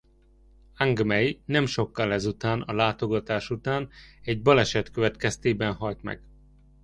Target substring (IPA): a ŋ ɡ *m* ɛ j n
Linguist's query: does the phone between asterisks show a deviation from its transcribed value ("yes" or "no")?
no